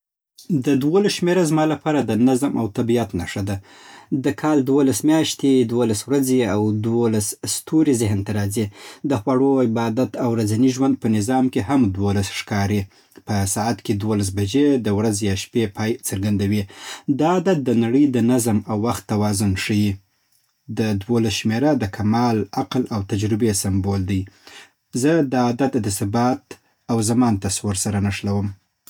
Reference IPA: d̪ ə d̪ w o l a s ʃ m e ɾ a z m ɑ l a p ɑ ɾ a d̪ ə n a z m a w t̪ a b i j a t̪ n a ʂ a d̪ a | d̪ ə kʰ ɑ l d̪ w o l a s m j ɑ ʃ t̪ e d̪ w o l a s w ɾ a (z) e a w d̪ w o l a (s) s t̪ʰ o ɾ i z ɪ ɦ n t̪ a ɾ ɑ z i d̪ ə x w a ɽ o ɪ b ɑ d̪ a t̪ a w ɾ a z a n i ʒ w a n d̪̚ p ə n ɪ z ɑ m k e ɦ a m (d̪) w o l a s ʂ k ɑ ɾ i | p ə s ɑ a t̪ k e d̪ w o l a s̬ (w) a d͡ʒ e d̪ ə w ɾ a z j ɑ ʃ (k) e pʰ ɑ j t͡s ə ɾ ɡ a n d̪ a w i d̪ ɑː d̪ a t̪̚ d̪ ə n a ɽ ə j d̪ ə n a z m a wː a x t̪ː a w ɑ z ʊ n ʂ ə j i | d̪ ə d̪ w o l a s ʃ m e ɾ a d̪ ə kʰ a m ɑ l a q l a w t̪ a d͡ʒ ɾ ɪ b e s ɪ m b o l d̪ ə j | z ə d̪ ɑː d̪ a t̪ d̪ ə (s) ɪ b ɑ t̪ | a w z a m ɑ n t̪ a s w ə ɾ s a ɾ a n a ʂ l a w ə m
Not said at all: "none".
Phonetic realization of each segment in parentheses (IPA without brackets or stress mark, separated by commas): z, s, d̪, b, p, s